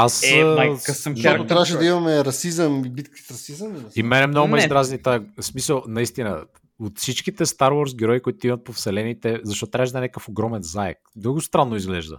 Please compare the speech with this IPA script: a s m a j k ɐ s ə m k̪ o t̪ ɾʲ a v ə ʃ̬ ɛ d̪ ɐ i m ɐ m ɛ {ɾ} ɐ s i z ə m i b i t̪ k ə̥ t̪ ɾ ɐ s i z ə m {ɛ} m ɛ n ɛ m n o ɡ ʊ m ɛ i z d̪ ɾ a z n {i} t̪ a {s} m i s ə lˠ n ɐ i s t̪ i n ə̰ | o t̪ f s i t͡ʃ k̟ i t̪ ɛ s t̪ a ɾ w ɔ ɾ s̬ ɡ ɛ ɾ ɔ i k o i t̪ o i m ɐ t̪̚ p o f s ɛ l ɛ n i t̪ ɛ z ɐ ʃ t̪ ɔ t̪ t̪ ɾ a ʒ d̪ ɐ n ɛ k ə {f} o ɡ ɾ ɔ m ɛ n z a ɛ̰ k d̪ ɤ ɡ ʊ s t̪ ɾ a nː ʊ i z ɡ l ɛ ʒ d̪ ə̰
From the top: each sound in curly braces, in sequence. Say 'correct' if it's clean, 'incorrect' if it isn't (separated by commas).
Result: correct, incorrect, correct, correct, correct